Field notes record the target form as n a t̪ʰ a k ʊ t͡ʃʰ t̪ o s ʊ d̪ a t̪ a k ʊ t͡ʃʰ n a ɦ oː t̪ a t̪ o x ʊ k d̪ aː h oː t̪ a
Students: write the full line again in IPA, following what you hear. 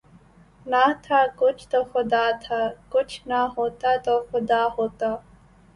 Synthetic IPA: n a t̪ʰ a k ʊ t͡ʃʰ t̪ o x ʊ d̪ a t̪ʰ a k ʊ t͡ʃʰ n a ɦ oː t̪ a t̪ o x ʊ d̪ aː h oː t̪ a